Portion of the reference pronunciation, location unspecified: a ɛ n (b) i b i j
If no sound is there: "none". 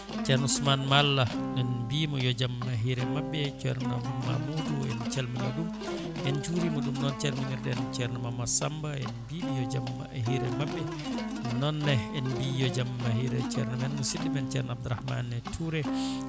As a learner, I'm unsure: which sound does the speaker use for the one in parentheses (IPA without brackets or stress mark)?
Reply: b